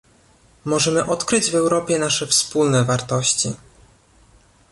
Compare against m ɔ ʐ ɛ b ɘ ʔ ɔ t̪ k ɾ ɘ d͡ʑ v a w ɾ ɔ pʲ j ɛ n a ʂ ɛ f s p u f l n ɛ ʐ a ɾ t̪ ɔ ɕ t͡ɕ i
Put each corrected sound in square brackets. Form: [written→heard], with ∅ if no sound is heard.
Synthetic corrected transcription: m ɔ ʐ ɛ [b→m] ɘ ʔ ɔ t̪ k ɾ ɘ d͡ʑ v [a→ɛ] w ɾ ɔ pʲ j ɛ n a ʂ ɛ f s p u [f→∅] l n ɛ [ʐ→v] a ɾ t̪ ɔ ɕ t͡ɕ i